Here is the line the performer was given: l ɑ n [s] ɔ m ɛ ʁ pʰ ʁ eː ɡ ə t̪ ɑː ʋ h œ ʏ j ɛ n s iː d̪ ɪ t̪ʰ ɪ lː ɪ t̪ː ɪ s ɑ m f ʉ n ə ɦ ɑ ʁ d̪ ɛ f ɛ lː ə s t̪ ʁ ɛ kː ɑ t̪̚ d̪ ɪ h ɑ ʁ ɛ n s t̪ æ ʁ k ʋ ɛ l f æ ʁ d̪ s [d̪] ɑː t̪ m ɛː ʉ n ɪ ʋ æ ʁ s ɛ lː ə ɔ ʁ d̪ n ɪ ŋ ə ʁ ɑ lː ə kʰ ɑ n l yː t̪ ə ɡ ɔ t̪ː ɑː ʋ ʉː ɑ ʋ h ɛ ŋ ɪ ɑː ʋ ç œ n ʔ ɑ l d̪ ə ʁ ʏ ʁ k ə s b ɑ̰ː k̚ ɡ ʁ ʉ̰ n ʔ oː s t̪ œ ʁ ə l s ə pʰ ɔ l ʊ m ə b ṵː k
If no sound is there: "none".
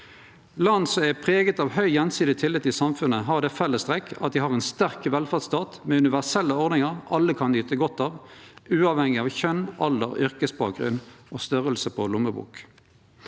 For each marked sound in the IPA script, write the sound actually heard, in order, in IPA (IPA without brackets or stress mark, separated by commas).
s, t̪